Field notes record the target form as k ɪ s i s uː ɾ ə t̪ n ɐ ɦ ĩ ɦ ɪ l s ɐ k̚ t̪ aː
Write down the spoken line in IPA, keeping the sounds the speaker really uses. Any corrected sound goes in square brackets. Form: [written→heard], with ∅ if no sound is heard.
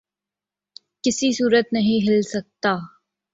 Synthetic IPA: k ɪ s i s uː ɾ ə t̪ n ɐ ɦ ĩ ɦ ɪ l s ɐ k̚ t̪ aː